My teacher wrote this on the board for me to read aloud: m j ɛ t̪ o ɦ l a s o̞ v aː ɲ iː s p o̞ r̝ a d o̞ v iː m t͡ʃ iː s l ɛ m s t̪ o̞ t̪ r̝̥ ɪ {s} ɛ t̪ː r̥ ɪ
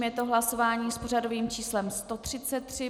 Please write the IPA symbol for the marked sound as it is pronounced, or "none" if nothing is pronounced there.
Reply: t͡s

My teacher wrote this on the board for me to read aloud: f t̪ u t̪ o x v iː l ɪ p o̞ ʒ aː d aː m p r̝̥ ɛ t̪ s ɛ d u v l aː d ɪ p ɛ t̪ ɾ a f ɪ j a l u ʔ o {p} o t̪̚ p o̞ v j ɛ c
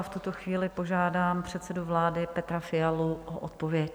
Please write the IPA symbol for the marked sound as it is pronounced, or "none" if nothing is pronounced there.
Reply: ʔ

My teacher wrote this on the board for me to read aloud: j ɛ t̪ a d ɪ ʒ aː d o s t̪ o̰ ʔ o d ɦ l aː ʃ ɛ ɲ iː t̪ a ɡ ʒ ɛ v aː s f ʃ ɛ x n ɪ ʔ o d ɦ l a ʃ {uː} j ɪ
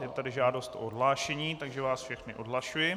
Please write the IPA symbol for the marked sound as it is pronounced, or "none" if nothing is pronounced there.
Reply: u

